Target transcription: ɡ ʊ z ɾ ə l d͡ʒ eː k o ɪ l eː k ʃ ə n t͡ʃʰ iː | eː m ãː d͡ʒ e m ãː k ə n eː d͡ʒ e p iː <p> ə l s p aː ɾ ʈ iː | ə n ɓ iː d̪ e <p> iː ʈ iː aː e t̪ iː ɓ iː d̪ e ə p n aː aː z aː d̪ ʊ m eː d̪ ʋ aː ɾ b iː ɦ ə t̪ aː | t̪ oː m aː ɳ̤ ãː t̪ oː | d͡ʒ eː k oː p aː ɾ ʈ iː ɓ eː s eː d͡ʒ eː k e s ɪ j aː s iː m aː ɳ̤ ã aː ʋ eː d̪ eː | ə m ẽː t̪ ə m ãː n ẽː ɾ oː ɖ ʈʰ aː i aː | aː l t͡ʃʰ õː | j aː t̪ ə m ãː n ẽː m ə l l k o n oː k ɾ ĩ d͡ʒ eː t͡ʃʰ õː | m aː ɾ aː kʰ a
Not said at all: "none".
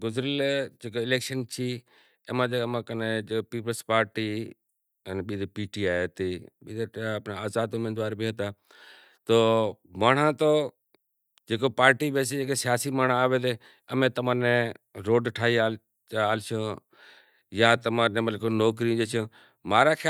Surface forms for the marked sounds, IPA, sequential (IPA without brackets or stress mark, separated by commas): p, p